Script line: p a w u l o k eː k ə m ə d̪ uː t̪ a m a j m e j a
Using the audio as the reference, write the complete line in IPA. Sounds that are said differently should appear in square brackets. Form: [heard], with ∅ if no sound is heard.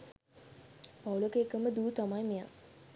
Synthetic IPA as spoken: p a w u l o k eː k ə m ə d̪ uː t̪ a m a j m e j a